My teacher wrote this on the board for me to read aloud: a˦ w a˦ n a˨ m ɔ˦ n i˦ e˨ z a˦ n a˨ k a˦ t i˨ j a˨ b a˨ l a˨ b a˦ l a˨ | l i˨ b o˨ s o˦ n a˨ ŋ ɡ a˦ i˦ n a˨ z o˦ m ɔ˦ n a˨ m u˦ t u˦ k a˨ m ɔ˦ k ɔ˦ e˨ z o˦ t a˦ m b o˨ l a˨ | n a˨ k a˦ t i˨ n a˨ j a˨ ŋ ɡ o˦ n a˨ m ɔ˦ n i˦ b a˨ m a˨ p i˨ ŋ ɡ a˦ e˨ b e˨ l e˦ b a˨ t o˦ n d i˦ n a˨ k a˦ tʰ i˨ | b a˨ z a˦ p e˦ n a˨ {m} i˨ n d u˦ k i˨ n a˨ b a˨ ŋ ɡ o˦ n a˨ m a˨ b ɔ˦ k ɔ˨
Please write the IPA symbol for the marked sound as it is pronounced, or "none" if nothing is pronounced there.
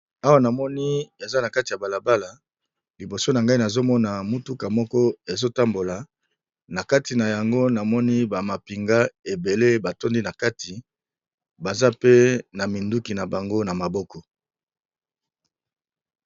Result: m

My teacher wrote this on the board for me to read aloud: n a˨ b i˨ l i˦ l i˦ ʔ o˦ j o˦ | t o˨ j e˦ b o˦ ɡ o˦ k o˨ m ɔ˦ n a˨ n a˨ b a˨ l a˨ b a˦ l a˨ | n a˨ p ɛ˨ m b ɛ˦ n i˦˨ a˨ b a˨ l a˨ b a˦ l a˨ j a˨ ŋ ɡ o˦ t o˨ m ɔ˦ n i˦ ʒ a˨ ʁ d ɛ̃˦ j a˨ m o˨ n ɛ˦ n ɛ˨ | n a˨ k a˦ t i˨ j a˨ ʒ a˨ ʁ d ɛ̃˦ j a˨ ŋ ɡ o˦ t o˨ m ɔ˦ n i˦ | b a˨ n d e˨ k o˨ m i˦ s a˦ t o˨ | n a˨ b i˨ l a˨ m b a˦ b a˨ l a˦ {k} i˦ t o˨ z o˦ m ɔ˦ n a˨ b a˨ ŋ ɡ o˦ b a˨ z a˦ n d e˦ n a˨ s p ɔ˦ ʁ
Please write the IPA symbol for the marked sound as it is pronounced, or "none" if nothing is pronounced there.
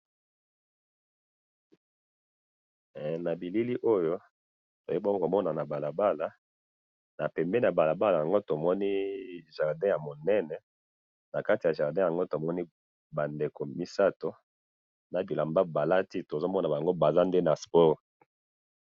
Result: t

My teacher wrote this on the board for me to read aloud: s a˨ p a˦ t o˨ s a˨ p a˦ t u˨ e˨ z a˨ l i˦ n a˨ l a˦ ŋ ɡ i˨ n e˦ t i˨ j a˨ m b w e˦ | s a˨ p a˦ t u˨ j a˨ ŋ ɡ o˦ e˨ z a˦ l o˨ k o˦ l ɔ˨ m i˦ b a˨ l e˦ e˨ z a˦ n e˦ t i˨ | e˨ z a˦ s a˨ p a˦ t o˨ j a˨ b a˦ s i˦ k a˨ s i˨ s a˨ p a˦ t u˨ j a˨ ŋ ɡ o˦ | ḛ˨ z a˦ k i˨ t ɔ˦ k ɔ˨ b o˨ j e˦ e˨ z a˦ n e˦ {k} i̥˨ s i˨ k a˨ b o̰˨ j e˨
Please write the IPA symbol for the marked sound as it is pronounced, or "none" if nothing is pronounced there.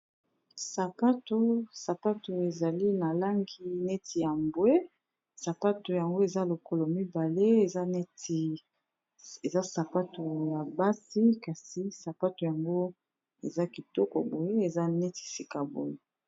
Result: t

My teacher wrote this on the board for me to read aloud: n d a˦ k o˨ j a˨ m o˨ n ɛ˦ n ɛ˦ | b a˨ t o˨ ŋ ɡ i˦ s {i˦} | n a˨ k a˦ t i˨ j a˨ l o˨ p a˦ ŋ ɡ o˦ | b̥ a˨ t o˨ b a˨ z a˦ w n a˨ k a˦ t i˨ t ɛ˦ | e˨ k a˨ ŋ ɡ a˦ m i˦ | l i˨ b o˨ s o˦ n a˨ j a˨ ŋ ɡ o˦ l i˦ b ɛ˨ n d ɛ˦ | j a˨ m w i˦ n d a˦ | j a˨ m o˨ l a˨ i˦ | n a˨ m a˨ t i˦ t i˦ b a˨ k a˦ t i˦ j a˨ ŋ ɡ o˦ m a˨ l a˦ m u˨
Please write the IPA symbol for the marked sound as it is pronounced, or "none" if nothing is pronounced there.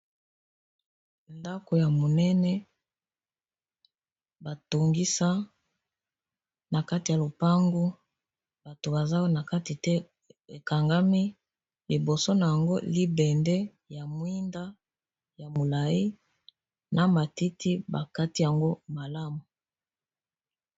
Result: a˦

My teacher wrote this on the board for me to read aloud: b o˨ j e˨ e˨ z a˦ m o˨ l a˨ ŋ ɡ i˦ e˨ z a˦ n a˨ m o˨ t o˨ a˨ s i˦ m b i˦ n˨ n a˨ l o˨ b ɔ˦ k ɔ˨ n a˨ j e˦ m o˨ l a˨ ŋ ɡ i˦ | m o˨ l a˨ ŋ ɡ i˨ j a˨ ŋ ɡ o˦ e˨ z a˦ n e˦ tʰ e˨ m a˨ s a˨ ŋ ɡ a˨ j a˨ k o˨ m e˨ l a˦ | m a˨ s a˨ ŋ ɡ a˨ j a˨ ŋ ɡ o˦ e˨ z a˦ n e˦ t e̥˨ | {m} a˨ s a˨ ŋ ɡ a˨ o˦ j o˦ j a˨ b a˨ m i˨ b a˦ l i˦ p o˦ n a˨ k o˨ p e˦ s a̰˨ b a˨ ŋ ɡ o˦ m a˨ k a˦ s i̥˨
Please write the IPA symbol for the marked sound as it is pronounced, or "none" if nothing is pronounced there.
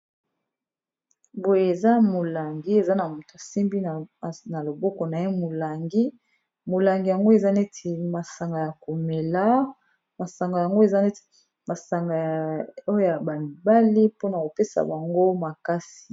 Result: m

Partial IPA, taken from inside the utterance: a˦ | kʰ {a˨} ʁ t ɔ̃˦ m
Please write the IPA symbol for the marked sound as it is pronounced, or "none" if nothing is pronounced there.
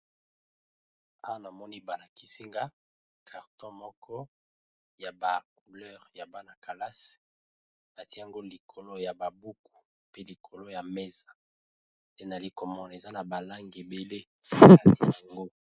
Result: a˨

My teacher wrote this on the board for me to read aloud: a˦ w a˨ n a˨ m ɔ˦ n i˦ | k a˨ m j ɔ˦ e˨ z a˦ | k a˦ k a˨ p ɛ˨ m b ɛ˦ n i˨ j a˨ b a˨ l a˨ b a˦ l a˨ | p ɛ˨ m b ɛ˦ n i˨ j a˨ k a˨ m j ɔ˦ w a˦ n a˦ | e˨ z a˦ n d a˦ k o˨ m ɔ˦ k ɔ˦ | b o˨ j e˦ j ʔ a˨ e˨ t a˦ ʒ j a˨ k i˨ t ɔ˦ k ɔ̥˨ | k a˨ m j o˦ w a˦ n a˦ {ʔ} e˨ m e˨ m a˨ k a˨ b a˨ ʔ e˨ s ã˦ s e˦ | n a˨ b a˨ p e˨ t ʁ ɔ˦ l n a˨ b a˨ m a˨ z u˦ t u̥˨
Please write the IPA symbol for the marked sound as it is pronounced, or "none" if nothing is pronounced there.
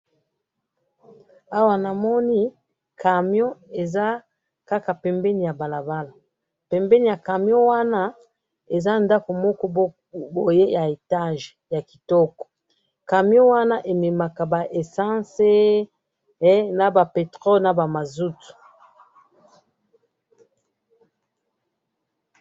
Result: ʔ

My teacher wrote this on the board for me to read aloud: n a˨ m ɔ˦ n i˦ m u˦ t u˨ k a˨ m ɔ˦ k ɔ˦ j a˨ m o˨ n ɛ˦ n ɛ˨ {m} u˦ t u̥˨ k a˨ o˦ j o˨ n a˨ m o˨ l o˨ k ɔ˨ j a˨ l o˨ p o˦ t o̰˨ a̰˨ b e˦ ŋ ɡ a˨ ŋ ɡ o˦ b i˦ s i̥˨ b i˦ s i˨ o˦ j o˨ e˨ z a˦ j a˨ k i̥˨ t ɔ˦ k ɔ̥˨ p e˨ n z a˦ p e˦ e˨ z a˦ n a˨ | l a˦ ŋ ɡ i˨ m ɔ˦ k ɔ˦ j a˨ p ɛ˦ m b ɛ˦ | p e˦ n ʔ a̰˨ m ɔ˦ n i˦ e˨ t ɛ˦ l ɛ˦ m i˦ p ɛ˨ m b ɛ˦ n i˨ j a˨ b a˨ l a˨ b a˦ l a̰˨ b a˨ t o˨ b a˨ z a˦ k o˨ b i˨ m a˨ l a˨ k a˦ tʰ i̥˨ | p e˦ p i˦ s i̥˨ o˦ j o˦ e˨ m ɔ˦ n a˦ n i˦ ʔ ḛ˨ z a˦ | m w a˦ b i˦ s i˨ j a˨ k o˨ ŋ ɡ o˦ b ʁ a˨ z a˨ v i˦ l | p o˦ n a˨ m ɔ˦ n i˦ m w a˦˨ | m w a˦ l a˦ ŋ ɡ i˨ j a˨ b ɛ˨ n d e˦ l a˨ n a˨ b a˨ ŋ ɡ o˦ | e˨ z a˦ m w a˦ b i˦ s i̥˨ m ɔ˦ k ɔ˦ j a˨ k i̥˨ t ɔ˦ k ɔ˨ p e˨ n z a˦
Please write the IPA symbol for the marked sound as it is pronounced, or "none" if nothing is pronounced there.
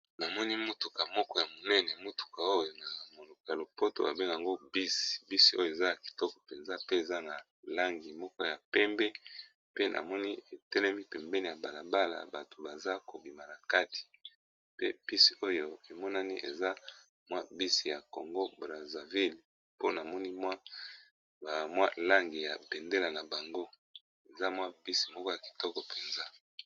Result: m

